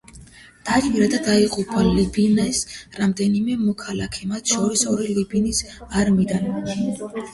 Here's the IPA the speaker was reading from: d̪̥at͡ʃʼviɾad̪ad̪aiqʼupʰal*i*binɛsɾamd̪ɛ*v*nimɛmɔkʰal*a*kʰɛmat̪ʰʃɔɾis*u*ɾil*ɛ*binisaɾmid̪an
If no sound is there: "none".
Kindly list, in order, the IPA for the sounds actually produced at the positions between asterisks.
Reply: i, none, a, ɔ, i

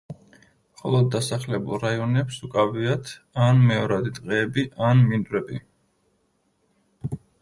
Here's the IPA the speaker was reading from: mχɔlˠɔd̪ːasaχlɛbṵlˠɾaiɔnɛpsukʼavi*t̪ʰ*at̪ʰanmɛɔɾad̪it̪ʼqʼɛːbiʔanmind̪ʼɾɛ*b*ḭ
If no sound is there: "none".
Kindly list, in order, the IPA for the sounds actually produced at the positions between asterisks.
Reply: none, b

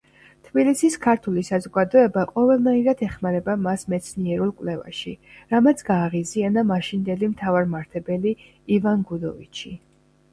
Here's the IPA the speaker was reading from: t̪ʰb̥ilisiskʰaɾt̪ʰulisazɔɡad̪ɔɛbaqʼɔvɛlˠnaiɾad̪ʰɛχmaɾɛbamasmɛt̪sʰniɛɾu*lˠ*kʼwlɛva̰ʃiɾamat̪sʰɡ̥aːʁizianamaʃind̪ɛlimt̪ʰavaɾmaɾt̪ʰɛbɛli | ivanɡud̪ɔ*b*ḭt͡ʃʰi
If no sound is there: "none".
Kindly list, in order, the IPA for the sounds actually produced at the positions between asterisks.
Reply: lˠ, v

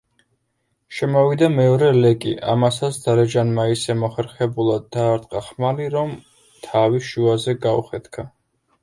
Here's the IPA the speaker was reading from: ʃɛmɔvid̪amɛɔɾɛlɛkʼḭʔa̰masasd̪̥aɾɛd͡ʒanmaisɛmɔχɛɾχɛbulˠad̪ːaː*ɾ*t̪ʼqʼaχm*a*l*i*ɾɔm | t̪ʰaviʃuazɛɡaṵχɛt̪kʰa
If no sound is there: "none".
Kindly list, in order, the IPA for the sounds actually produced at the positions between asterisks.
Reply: ɾ, a, i

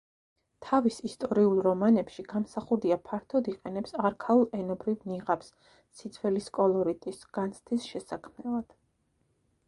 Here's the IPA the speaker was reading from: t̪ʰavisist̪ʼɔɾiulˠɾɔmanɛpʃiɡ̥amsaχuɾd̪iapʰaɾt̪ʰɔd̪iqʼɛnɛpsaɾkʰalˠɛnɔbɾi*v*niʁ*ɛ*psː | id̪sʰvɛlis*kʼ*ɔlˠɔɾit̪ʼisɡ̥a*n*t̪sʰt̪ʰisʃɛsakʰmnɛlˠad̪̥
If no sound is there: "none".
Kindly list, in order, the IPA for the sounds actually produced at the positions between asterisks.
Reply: v, a, kʼ, n

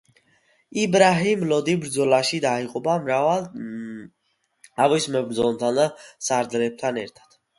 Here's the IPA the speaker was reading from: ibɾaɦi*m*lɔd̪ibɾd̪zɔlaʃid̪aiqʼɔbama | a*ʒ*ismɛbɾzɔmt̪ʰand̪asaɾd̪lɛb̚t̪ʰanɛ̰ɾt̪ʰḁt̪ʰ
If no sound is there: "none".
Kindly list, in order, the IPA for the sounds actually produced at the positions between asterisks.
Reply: m, v

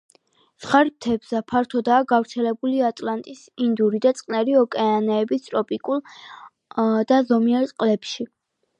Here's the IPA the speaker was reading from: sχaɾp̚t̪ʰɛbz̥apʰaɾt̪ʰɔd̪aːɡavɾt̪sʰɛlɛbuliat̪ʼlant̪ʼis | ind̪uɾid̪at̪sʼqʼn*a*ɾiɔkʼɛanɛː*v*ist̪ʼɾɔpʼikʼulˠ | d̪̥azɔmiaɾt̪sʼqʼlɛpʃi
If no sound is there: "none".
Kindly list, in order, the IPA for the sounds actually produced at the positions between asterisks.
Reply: ɛ, b

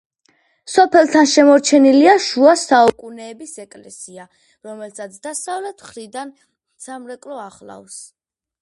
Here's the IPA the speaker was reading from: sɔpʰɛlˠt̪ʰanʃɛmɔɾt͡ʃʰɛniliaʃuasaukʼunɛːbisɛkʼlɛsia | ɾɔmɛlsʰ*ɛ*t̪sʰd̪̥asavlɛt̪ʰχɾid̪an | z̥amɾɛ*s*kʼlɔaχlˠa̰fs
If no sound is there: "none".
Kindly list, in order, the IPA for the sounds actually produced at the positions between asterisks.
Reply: a, none

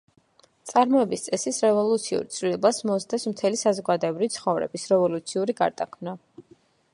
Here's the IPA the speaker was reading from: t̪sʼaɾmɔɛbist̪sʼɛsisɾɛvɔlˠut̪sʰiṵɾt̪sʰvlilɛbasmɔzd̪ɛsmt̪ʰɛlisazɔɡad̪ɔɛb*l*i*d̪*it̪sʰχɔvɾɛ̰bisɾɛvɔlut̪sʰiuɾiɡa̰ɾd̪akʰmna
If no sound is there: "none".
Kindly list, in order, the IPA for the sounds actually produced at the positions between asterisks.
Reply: ɾ, none

